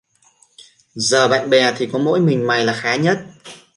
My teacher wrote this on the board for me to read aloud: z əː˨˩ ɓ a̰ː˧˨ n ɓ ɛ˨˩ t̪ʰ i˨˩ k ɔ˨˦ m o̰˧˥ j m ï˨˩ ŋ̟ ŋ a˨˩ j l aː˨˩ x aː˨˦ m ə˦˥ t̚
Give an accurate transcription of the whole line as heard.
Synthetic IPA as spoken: z əː˨˩ ɓ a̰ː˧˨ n ɓ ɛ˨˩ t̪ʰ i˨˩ k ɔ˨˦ m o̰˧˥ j m ï˨˩ ŋ̟ m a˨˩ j l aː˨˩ x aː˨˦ ɲ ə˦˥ t̚